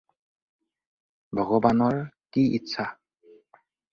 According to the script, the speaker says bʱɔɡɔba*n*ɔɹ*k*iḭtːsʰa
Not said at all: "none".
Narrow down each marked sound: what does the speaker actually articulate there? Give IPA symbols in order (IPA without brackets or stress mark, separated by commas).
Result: n, k